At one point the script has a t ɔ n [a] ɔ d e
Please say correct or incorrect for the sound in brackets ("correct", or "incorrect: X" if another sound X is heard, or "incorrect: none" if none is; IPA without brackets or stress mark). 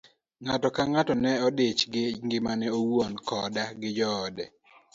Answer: incorrect: ɛ